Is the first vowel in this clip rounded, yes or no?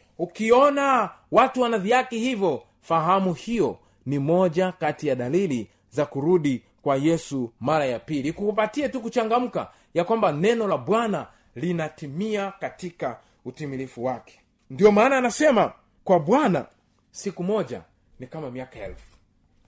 yes